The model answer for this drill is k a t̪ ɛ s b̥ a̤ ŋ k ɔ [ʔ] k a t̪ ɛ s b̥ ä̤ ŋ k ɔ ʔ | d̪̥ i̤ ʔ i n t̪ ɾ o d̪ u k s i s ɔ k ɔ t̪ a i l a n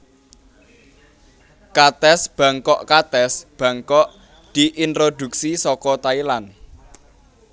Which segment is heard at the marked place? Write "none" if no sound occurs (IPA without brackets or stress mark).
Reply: ʔ